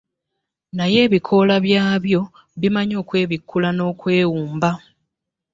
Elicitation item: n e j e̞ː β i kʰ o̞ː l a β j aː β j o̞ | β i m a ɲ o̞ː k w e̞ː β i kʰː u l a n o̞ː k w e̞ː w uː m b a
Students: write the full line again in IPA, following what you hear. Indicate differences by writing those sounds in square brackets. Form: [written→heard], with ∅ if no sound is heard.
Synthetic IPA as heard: n [e→a] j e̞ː β i kʰ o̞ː l a β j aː β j o̞ | β i m a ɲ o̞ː k w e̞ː β i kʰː u l a n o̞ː k w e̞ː w uː m b a